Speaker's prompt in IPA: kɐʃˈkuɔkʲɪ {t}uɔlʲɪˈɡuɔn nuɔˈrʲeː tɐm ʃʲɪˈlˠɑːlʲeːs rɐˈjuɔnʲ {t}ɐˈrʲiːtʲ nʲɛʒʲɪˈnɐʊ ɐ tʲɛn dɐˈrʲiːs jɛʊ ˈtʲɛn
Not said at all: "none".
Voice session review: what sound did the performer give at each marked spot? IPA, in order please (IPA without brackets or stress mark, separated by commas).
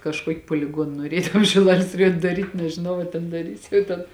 p, d